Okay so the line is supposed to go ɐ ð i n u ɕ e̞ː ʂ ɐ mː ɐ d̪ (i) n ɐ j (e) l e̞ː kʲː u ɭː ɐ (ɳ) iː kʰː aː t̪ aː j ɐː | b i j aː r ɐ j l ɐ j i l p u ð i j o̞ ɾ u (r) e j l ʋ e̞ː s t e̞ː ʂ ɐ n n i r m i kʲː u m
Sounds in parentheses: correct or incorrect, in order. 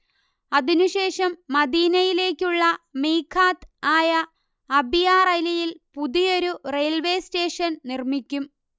incorrect: iː, incorrect: i, incorrect: m, correct

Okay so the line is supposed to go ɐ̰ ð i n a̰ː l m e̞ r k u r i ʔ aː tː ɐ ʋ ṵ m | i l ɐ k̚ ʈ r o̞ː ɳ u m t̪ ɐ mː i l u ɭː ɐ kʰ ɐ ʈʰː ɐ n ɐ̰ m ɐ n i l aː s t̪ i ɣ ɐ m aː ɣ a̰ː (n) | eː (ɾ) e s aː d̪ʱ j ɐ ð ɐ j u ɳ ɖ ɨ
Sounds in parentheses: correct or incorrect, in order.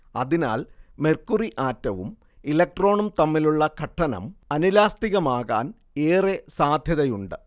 correct, incorrect: r

